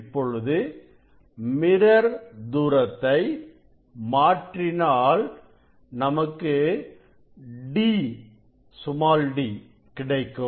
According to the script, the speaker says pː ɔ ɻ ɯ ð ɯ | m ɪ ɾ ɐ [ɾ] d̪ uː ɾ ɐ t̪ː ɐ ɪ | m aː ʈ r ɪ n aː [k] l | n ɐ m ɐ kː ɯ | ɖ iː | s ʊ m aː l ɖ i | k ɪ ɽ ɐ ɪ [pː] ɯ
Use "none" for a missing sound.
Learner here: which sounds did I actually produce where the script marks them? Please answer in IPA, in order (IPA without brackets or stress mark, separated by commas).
ɾ, none, kː